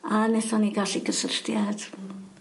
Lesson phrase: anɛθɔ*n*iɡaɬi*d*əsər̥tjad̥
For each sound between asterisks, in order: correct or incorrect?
correct, incorrect: ɡ

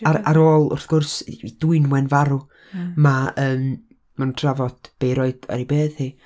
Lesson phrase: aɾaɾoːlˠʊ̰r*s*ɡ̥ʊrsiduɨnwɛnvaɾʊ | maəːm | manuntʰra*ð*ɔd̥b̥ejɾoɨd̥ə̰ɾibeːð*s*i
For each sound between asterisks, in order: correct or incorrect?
incorrect: θ, incorrect: v, incorrect: h

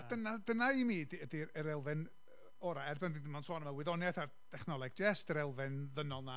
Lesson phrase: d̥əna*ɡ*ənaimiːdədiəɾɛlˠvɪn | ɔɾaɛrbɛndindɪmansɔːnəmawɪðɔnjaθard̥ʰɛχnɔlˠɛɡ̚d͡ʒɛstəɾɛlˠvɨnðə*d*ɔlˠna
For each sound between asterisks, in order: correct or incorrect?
incorrect: d, incorrect: n

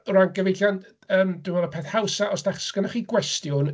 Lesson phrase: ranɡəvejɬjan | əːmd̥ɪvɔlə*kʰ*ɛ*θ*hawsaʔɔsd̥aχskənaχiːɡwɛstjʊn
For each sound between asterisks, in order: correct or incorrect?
incorrect: pʰ, correct

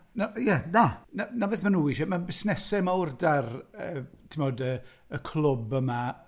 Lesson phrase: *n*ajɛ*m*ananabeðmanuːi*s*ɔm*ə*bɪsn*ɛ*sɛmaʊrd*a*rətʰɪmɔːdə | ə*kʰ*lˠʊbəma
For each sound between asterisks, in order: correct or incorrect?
correct, incorrect: n, incorrect: ʃ, incorrect: a, correct, correct, correct

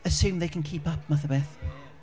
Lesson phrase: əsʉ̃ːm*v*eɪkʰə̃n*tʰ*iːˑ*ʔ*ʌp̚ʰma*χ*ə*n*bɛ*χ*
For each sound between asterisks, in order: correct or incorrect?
incorrect: ð, incorrect: kʰ, incorrect: p, incorrect: θ, incorrect: none, incorrect: θ

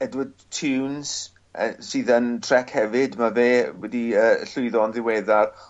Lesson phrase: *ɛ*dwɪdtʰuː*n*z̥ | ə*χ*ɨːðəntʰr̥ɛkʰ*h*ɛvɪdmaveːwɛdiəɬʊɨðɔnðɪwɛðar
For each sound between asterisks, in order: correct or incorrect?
correct, correct, incorrect: s, correct

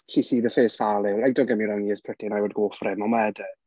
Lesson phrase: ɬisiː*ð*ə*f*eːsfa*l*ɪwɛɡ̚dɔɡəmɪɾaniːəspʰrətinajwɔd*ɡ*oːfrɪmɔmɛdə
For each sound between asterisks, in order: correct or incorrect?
correct, correct, correct, correct

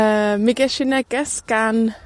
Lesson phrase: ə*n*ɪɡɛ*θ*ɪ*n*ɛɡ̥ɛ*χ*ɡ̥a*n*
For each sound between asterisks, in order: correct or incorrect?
incorrect: m, incorrect: ʃ, correct, incorrect: s, correct

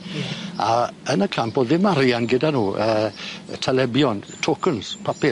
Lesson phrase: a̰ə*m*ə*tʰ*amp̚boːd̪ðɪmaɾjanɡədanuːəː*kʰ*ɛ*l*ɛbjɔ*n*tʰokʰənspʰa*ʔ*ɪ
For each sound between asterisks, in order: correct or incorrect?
incorrect: n, incorrect: kʰ, incorrect: tʰ, correct, correct, incorrect: p

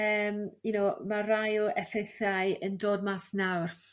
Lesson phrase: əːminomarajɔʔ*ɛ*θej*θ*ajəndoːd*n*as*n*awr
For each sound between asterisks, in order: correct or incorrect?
correct, correct, incorrect: m, correct

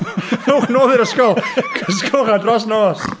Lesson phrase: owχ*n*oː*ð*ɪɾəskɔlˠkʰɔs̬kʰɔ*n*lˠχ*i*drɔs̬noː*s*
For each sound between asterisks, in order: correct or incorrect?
correct, correct, incorrect: none, incorrect: a, correct

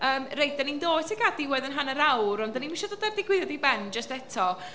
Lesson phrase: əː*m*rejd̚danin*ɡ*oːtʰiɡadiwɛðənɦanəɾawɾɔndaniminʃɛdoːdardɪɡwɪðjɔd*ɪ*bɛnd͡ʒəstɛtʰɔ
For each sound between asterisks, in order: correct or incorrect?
correct, incorrect: d, incorrect: i

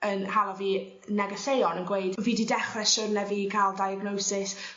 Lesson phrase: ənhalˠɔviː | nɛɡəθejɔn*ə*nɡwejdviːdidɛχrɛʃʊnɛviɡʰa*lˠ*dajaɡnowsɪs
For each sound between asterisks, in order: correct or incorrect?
correct, correct

